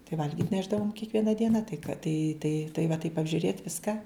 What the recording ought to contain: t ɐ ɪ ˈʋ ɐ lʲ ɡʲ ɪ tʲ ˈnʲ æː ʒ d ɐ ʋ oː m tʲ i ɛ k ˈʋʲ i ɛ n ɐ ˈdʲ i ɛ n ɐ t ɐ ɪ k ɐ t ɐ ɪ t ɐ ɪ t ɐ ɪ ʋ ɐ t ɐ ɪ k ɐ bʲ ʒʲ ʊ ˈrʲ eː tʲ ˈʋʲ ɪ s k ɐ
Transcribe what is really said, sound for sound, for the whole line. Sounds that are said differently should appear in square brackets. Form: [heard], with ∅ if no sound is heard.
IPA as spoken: t ɐ ɪ ˈʋ ɐ lʲ ɡʲ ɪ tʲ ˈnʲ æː ʒ d ɐ ʋ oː m [kʲ] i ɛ k ˈʋʲ i ɛ n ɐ ˈdʲ i ɛ n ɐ t ɐ ɪ k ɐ t ɐ ɪ t ɐ ɪ t ɐ ɪ ʋ ɐ t ɐ ɪ [p] ɐ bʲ ʒʲ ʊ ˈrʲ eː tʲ ˈʋʲ ɪ s k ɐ

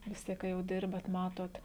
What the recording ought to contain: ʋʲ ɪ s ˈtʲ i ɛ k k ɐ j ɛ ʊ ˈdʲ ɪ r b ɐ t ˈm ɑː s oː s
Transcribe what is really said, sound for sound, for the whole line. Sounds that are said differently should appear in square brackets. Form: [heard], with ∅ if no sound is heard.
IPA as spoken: ʋʲ ɪ s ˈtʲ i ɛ k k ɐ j ɛ ʊ ˈdʲ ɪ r b ɐ t ˈm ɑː [t] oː [t]

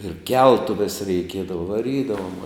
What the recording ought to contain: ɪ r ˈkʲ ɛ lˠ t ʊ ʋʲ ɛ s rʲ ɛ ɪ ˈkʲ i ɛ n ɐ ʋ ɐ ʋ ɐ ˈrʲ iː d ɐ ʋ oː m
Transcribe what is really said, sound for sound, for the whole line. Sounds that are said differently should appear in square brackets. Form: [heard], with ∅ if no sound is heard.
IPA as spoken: ɪ r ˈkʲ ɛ lˠ t ʊ ʋʲ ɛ s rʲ ɛ ɪ ˈkʲ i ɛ [d] ɐ ʋ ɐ ʋ ɐ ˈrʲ iː d ɐ ʋ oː m

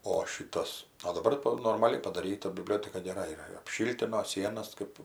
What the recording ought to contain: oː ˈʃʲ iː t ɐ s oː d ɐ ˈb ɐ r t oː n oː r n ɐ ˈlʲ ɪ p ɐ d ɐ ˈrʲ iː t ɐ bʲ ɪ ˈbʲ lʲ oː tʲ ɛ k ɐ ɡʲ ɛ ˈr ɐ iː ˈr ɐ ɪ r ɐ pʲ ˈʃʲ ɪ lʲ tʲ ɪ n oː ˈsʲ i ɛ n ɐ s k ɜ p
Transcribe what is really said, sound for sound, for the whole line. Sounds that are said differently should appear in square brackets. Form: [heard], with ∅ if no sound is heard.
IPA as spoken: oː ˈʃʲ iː t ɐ s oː d ɐ ˈb ɐ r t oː n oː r [m] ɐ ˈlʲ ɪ p ɐ d ɐ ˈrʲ iː t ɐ bʲ ɪ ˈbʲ lʲ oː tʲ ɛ k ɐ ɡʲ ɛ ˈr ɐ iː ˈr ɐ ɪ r ɐ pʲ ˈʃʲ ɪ lʲ tʲ ɪ n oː ˈsʲ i ɛ n ɐ s k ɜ p

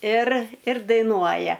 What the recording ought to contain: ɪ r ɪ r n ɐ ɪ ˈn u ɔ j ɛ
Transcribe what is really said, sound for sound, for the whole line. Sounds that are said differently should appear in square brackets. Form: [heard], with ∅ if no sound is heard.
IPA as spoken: ɪ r ɪ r [d] ɐ ɪ ˈn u ɔ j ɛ

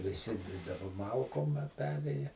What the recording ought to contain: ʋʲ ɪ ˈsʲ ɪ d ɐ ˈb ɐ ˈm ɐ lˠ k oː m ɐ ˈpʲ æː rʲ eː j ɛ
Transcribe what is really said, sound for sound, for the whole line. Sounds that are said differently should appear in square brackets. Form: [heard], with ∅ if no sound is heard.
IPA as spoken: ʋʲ ɪ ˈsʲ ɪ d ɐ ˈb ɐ ˈm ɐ lˠ k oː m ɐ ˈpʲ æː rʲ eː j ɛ

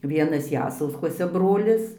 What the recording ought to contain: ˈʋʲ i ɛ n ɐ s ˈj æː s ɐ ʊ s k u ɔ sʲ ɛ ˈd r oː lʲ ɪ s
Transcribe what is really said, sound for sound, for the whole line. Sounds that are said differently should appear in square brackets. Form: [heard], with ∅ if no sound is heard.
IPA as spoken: ˈʋʲ i ɛ n ɐ s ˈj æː s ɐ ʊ s k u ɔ sʲ ɛ [ˈb] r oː lʲ ɪ s

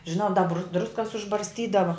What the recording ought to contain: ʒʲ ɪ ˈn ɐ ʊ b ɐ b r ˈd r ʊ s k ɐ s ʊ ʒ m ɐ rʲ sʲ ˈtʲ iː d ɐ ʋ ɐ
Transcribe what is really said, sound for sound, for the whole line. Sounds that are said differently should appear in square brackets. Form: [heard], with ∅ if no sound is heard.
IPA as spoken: ʒʲ ɪ ˈn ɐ ʊ [d] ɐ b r ˈd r ʊ s k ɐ s ʊ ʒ [b] ɐ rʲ sʲ ˈtʲ iː d ɐ ʋ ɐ

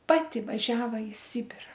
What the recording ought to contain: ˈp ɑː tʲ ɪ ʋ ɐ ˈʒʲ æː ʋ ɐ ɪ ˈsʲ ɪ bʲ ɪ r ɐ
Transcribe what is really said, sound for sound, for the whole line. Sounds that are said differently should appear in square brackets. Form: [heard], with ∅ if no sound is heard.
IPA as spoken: ˈp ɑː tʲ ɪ ʋ ɐ ˈʒʲ æː ʋ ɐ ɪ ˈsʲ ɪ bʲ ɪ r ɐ

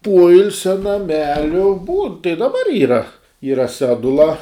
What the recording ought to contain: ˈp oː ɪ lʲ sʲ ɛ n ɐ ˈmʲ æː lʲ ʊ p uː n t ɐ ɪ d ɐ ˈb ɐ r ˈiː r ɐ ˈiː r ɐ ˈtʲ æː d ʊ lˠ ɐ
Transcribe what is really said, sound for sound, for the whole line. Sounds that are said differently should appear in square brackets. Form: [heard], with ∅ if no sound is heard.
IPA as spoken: ˈp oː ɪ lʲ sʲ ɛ n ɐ ˈmʲ æː lʲ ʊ [b] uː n t ɐ ɪ d ɐ ˈb ɐ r ˈiː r ɐ ˈiː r ɐ [ˈsʲ] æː d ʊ lˠ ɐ

